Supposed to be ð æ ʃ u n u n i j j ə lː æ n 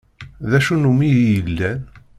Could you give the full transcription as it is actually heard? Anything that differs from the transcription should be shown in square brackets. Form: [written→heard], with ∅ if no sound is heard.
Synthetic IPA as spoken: ð æ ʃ u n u [n→m] i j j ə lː æ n